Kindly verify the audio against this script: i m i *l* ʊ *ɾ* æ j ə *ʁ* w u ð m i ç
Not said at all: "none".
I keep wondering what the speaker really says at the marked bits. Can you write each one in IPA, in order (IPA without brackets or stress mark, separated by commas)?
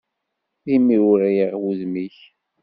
ɾ, ɾ, ʁ